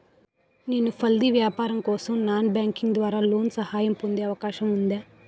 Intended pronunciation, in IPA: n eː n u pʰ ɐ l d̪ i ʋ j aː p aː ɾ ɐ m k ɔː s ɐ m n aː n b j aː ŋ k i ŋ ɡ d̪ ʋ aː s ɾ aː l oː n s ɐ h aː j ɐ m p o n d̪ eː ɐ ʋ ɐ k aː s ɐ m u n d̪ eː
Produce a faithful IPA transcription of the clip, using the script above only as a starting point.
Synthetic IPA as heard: n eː n u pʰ ɐ l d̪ i ʋ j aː p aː ɾ ɐ m k ɔː s ɐ m n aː n b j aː ŋ k i ŋ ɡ d̪ ʋ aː ɾ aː l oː n s ɐ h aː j ɐ m p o n d̪ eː ɐ ʋ ɐ k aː ʃ ɐ m u n d̪ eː